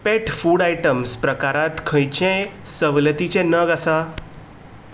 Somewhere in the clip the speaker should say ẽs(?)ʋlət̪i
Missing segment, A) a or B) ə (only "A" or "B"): B